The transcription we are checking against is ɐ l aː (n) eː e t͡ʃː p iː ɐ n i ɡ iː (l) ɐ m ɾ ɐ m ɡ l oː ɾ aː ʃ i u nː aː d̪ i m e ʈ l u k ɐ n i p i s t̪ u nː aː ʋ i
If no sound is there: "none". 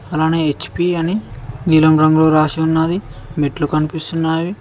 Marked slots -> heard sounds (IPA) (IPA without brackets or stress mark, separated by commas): n, l